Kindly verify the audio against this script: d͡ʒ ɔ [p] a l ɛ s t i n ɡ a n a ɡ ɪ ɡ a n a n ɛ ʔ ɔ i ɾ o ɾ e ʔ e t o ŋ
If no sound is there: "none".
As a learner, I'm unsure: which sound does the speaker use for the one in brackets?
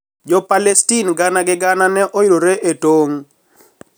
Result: p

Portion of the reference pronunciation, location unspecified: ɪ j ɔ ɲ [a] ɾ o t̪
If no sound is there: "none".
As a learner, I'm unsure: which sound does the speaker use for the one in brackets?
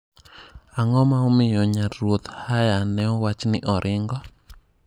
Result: a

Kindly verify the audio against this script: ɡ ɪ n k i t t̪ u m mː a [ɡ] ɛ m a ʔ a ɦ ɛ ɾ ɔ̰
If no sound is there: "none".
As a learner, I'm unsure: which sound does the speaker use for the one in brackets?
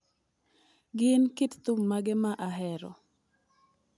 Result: ɡ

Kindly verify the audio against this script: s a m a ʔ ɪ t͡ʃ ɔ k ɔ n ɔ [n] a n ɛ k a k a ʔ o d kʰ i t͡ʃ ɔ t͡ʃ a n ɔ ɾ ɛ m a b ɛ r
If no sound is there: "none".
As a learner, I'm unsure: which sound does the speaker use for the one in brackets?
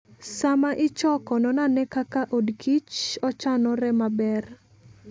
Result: n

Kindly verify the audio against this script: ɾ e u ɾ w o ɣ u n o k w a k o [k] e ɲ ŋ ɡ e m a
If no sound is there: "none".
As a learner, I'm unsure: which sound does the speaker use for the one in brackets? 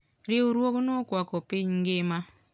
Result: p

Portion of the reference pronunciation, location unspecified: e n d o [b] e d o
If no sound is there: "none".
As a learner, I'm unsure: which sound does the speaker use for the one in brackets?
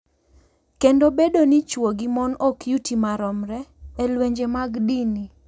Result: b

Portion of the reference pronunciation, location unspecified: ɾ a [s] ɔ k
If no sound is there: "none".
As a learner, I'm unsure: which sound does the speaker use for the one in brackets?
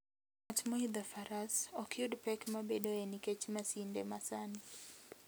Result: s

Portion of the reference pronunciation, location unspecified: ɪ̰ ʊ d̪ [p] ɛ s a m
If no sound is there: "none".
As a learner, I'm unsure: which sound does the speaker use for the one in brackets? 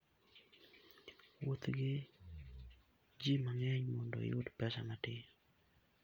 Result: p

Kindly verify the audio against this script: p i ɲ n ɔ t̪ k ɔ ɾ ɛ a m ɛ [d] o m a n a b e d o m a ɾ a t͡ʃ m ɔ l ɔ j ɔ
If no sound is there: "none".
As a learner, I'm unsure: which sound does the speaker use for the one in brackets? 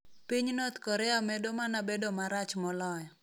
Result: d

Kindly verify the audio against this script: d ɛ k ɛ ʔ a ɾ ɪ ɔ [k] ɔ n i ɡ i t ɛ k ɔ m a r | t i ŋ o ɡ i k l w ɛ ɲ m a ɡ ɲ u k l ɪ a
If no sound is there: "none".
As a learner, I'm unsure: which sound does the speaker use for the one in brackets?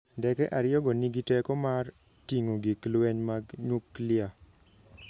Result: ɡ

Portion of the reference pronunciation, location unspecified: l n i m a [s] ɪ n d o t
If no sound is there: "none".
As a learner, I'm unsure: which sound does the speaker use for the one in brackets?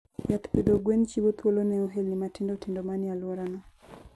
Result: t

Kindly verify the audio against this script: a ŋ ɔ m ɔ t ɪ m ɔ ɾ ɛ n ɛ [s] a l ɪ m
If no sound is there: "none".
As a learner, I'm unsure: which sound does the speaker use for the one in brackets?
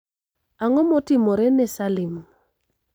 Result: s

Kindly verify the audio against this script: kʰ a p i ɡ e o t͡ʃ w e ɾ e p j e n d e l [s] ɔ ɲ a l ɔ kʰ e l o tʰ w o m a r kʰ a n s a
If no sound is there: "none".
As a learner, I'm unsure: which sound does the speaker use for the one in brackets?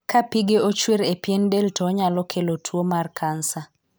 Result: t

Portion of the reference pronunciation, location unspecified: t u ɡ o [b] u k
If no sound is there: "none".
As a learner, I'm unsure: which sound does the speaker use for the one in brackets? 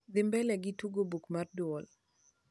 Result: b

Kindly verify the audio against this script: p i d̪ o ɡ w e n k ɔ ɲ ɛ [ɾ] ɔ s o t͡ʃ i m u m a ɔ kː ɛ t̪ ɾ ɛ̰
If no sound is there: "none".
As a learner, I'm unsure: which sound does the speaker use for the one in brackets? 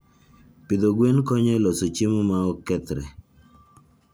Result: l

